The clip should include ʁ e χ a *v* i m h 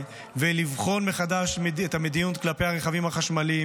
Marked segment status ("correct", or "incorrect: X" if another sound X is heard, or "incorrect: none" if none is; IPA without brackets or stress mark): correct